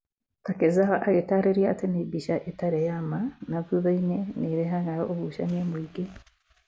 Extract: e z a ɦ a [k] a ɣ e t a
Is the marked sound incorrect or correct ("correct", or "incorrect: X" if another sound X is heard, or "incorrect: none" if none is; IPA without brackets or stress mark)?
incorrect: ʔ